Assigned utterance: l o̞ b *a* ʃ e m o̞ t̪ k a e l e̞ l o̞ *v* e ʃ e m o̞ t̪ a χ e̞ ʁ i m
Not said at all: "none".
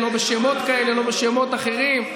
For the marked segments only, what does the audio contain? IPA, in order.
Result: e, b

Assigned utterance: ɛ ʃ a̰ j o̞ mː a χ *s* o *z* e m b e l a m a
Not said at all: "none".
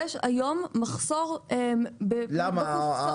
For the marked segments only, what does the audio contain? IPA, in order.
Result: s, ʁ

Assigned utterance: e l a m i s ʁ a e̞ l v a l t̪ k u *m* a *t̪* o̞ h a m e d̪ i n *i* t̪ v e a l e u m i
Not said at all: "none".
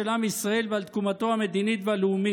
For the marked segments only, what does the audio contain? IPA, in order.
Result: m, t̪, i

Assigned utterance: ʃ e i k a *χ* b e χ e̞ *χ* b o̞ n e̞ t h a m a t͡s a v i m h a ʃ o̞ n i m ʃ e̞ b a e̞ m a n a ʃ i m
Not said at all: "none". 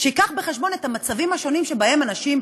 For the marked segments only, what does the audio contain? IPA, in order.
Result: χ, ʃ

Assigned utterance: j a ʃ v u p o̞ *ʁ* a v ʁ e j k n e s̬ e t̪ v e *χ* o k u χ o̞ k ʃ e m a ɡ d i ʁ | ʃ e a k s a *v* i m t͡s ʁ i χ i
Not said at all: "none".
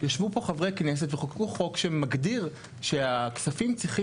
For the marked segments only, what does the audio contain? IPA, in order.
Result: χ, χ, f

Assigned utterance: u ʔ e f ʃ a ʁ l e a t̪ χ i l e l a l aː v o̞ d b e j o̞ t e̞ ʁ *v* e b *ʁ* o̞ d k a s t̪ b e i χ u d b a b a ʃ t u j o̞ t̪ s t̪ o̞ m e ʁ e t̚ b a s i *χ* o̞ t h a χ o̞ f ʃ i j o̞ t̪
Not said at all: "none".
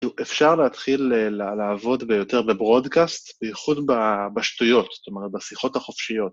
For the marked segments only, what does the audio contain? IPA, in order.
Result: b, ʁ, χ

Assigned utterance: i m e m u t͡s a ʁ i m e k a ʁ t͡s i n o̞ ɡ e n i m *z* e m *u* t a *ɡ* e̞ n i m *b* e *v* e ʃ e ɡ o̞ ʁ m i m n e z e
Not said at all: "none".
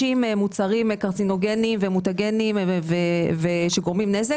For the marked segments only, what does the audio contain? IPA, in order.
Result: v, u, ɡ, v, v

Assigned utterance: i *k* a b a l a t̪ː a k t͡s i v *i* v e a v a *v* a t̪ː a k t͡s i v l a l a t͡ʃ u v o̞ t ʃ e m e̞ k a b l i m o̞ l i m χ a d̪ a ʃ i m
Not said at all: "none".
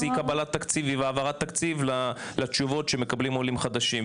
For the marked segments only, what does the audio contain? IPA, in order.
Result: k, i, ʁ

